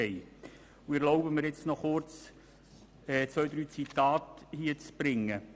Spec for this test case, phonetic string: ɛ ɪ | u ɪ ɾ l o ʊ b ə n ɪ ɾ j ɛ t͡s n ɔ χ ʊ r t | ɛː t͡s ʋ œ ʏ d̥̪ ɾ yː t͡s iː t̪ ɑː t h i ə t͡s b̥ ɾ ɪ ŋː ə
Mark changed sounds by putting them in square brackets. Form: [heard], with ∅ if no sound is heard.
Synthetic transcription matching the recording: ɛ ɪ | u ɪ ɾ l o ʊ b ə [m] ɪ ɾ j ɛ t͡s n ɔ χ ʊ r [t͡s] | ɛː t͡s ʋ œ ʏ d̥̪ ɾ yː t͡s [i] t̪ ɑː t h i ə t͡s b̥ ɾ ɪ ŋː ə